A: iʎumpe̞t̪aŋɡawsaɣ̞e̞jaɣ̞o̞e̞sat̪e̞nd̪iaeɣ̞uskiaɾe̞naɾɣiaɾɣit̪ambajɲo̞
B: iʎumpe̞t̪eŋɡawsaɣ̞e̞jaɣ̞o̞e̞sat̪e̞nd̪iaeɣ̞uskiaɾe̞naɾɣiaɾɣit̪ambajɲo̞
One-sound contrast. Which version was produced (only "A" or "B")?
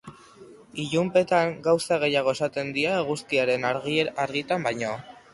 A